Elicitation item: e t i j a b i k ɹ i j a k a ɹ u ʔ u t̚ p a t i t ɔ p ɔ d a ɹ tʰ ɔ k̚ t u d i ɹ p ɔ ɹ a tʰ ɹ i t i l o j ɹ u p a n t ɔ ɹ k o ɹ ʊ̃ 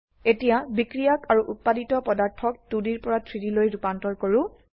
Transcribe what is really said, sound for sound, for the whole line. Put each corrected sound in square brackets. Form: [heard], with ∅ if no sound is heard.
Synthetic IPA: e t i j a b i k ɹ i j a k a ɹ u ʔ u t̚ p a [d] i t ɔ p ɔ d a ɹ tʰ ɔ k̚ t u d i ɹ p ɔ ɹ a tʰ ɹ i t i l o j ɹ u p a n t ɔ ɹ k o ɹ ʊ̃